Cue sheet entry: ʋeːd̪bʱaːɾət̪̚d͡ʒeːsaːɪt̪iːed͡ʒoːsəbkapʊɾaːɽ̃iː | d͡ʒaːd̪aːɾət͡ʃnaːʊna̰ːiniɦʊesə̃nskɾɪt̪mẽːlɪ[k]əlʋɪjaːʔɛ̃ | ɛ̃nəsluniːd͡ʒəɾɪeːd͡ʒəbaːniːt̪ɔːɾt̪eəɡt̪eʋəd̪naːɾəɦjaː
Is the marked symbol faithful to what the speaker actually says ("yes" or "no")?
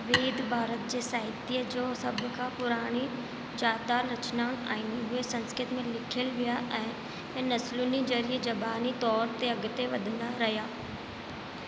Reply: no